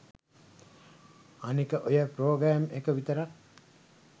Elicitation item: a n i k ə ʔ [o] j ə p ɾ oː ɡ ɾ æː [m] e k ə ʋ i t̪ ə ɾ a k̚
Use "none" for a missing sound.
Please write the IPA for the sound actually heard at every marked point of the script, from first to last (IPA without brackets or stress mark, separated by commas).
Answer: o, m